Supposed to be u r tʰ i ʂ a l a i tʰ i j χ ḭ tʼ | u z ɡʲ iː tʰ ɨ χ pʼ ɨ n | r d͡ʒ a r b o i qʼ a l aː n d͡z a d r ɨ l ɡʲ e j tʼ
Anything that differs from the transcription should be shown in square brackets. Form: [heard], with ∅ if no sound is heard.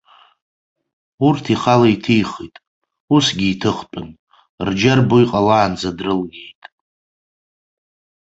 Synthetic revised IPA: u r tʰ i [χ] a l a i tʰ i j χ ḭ tʼ | u [s] ɡʲ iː tʰ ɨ χ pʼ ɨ n | r d͡ʒ a r b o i qʼ a l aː n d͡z a d r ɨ l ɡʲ e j tʼ